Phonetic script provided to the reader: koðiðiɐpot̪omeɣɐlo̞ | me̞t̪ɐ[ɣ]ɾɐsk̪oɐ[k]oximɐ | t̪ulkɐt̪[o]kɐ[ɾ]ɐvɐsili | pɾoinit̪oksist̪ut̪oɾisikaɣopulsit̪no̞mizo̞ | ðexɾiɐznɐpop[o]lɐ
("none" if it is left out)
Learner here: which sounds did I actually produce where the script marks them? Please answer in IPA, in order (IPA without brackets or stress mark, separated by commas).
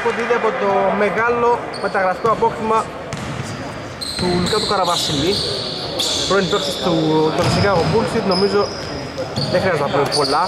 ɣ, p, u, ɾ, o